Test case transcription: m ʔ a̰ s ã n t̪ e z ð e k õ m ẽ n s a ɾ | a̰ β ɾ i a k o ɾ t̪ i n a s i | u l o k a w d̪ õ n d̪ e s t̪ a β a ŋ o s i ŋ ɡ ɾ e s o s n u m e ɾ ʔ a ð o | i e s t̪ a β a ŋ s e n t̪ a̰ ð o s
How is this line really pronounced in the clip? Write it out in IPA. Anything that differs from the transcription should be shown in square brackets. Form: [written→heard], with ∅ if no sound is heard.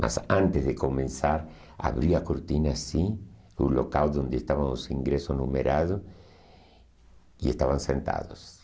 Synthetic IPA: m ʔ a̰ s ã n t̪ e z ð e k [õ→o] m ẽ n s a ɾ | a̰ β ɾ i a k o ɾ t̪ i n a s i | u l o k a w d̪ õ n d̪ e s t̪ a β a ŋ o s i ŋ ɡ ɾ e s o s n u m e ɾ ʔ a ð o | i e s t̪ a β a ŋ s e n t̪ a̰ ð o s